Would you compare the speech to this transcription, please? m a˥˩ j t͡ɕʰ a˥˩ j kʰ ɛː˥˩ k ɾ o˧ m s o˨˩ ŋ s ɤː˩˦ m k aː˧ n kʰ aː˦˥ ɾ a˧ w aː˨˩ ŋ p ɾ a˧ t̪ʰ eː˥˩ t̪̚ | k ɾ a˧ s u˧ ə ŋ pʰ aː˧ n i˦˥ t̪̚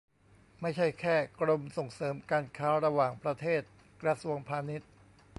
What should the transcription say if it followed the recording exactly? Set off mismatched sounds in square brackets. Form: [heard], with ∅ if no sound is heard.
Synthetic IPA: m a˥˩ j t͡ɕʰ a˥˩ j kʰ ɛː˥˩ k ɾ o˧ m s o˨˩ ŋ s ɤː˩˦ m k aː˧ n kʰ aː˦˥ ɾ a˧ w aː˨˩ ŋ p ɾ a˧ t̪ʰ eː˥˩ t̪̚ | k ɾ a˧ s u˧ ə ŋ pʰ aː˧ n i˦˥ t̪̚